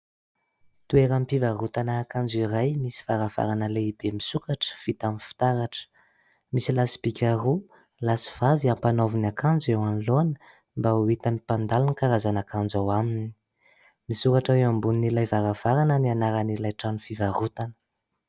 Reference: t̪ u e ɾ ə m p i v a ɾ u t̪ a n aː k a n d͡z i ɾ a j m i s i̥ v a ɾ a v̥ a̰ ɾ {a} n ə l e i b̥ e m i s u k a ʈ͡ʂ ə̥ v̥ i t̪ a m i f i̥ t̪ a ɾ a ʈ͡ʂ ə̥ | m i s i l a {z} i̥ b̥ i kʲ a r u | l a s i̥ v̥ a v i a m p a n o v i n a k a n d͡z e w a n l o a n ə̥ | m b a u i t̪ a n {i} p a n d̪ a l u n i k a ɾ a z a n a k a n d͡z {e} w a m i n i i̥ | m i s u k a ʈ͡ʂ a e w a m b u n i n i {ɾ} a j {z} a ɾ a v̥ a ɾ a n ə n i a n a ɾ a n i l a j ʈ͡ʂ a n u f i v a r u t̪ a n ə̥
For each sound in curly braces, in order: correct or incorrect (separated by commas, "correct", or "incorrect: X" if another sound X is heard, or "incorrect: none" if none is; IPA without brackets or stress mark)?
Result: correct, incorrect: s, correct, incorrect: a, incorrect: l, incorrect: v